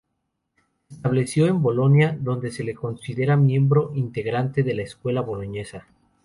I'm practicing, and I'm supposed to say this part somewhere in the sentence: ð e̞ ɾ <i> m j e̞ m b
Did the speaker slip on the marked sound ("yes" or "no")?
yes